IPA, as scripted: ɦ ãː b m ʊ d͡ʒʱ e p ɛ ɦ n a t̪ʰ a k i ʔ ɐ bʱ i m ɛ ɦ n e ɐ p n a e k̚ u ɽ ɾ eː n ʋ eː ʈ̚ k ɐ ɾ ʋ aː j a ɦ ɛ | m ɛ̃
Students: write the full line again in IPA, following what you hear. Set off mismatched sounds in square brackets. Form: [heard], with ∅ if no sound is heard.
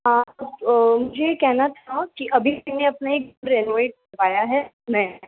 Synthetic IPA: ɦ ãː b m ʊ d͡ʒʱ e [k] ɛ ɦ n a t̪ʰ a k i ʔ ɐ bʱ i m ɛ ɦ n e ɐ p n a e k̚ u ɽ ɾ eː n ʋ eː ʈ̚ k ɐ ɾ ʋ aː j a ɦ ɛ | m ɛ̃

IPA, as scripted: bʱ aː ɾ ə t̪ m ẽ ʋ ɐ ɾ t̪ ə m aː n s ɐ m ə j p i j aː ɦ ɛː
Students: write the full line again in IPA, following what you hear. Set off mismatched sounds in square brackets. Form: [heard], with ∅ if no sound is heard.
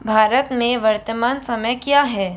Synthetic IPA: bʱ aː ɾ ə t̪ m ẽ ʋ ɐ ɾ t̪ ə m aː n s ɐ m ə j [k] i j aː ɦ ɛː

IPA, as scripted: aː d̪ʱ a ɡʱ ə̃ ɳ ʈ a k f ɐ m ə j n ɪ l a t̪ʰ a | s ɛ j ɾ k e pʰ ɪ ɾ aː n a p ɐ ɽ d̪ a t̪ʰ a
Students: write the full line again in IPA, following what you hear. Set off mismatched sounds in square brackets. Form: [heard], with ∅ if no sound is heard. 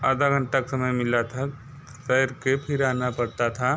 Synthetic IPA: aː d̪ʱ a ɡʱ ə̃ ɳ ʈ a k [s] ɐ m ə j [m] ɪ l a t̪ʰ a | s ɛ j ɾ k e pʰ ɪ ɾ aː n a p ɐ ɽ [t̪] a t̪ʰ a

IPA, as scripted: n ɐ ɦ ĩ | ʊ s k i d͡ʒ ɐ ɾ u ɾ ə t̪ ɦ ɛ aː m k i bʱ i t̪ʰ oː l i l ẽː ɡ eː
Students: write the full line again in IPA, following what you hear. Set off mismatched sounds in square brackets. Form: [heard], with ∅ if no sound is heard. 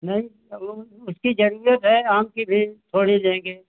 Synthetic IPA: n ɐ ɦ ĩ | ʊ s k i d͡ʒ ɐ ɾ u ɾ ə t̪ ɦ ɛ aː m k i bʱ i t̪ʰ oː [ɽ] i l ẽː ɡ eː

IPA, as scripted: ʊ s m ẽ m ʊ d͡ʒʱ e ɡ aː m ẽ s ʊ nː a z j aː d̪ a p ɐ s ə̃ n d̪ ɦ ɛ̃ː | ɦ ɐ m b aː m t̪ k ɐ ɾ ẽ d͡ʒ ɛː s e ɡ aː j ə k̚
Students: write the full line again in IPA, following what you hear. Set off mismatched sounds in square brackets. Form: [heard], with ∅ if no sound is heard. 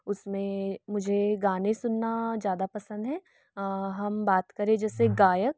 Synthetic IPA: ʊ s m ẽ m ʊ d͡ʒʱ e ɡ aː [n] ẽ s ʊ nː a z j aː d̪ a p ɐ s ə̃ n d̪ ɦ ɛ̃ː | ɦ ɐ m b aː [∅] t̪ k ɐ ɾ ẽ d͡ʒ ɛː s e ɡ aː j ə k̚

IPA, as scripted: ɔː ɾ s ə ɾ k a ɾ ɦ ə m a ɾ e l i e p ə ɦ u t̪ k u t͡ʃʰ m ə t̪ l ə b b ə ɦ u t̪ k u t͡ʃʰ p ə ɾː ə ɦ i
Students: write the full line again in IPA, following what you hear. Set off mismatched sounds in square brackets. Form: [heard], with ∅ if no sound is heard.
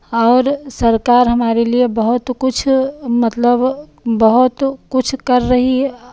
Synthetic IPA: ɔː ɾ s ə ɾ k a ɾ ɦ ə m a ɾ e l i e [b] ə ɦ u t̪ k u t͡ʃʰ m ə t̪ l ə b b ə ɦ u t̪ k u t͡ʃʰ [k] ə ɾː ə ɦ i

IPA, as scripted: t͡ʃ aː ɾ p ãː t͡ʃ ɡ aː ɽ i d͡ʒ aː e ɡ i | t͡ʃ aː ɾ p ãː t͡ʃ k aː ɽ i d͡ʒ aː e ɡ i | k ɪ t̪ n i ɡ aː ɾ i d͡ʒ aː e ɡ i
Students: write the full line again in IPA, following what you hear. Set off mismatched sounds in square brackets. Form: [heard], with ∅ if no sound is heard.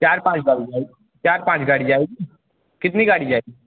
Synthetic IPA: t͡ʃ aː ɾ p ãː t͡ʃ ɡ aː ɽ i d͡ʒ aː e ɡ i | t͡ʃ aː ɾ p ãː t͡ʃ [ɡ] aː ɽ i d͡ʒ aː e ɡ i | k ɪ t̪ n i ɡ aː [ɽ] i d͡ʒ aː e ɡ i

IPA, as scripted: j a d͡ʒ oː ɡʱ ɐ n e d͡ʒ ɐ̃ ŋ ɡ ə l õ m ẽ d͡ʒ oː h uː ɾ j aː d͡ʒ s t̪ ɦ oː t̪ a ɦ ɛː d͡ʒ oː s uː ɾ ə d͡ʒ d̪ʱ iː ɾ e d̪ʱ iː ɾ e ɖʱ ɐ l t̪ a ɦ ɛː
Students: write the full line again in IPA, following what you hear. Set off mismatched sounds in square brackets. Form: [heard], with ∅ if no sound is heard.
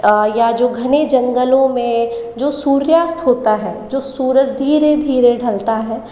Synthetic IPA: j a d͡ʒ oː ɡʱ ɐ n e d͡ʒ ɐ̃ ŋ ɡ ə l õ m ẽ d͡ʒ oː [s] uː ɾ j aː [∅] s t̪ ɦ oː t̪ a ɦ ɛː d͡ʒ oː s uː ɾ ə d͡ʒ d̪ʱ iː ɾ e d̪ʱ iː ɾ e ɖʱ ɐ l t̪ a ɦ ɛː

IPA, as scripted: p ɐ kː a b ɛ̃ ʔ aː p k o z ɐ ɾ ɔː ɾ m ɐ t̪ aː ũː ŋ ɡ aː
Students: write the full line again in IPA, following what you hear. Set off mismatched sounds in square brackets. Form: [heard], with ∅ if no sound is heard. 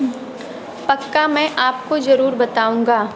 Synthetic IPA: p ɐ kː a [m] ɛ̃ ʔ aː p k o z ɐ ɾ [uː] ɾ [b] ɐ t̪ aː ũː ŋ ɡ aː

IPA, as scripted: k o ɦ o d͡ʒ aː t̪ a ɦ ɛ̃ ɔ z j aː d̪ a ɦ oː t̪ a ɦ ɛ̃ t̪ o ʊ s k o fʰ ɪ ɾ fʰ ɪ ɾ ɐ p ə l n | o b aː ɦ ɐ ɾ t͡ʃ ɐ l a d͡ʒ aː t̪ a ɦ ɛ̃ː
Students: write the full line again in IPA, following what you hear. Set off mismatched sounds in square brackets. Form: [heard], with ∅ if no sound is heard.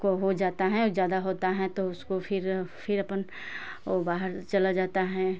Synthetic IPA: k o ɦ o d͡ʒ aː t̪ a ɦ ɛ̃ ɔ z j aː d̪ a ɦ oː t̪ a ɦ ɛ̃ t̪ o ʊ s k o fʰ ɪ ɾ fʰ ɪ ɾ ɐ p ə [∅] n | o b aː ɦ [ə] ɾ t͡ʃ ɐ l a d͡ʒ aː t̪ a ɦ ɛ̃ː

